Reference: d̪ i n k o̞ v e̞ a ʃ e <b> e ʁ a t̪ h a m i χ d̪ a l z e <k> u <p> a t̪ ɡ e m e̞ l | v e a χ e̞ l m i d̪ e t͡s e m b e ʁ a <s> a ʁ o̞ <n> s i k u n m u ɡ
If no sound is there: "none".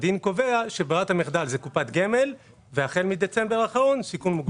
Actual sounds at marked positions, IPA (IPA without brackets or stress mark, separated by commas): b, k, p, χ, n